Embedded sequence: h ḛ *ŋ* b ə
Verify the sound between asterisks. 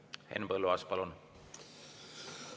incorrect: n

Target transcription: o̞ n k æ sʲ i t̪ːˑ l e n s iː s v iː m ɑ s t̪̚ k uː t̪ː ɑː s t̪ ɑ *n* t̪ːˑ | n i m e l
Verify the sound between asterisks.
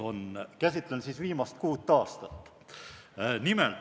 incorrect: none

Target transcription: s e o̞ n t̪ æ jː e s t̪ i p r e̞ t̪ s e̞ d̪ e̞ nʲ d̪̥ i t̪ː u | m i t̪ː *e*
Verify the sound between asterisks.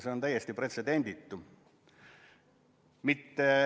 correct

